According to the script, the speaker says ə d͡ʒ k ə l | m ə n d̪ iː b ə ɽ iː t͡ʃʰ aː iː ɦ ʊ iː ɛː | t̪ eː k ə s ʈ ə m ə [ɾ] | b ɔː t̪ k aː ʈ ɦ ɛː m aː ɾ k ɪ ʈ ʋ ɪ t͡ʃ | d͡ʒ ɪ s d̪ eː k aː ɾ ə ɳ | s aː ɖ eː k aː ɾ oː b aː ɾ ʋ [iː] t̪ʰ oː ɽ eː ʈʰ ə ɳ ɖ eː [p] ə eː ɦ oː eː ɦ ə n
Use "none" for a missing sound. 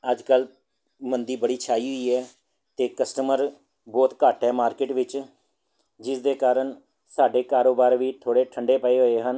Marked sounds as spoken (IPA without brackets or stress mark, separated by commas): ɾ, iː, p